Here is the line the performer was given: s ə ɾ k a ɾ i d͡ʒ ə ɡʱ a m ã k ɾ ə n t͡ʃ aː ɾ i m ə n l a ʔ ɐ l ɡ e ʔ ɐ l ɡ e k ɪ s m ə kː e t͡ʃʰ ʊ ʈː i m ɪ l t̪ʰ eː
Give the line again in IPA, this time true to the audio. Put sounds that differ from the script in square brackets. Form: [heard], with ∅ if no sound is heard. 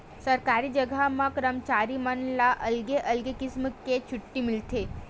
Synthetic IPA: s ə ɾ k a ɾ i d͡ʒ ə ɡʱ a m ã k ɾ ə [m] t͡ʃ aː ɾ i m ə n l a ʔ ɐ l ɡ e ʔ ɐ l ɡ e k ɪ s m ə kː e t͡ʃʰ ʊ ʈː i m ɪ l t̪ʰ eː